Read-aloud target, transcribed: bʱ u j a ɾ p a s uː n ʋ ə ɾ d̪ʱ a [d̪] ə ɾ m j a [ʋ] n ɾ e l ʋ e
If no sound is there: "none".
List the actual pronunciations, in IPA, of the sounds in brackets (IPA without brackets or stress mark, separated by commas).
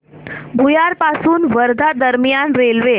d̪, none